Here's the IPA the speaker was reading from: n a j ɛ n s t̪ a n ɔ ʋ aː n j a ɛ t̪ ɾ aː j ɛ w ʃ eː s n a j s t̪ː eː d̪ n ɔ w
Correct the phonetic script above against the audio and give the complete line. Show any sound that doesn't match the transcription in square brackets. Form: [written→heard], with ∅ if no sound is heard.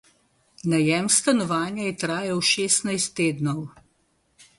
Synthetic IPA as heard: n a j ɛ [n→m] s t̪ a n ɔ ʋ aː n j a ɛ t̪ ɾ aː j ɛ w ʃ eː s n a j s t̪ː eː d̪ n ɔ w